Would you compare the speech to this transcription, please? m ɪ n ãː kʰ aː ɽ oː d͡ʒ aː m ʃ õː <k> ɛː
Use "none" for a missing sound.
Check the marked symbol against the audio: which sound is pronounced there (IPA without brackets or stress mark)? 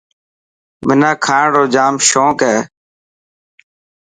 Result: k